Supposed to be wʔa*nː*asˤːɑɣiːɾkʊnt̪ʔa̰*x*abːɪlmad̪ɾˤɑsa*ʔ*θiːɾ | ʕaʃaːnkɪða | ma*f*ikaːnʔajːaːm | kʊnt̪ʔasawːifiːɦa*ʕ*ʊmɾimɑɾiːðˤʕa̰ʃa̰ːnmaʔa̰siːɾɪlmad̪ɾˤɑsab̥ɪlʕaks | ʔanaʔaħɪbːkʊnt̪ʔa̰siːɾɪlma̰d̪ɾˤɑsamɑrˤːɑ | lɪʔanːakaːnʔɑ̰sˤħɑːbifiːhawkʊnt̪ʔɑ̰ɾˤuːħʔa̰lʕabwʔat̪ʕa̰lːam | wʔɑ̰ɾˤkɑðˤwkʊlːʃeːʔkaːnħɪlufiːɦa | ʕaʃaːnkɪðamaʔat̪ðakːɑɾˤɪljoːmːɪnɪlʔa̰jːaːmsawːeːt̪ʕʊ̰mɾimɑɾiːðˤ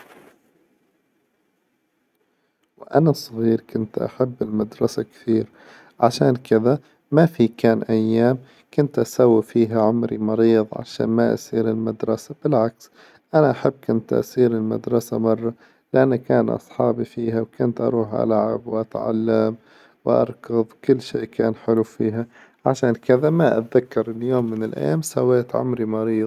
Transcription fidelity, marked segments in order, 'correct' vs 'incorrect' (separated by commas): incorrect, incorrect, incorrect, correct, correct